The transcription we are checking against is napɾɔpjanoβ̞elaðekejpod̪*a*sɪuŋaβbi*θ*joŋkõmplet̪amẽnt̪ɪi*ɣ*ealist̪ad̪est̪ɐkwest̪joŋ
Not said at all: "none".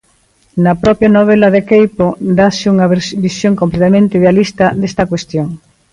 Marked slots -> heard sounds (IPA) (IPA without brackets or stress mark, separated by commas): a, s, ð